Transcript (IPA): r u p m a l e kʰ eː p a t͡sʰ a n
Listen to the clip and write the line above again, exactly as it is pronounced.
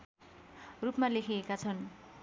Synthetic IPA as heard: r u p m a l e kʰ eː k a t͡sʰ ʌ n